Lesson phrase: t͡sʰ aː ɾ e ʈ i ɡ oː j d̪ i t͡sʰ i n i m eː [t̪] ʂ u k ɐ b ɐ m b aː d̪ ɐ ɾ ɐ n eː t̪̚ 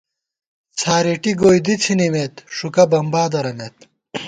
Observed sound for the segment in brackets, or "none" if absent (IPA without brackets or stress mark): t̪